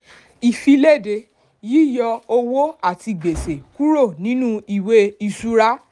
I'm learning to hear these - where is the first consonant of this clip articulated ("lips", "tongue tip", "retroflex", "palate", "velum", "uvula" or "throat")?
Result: lips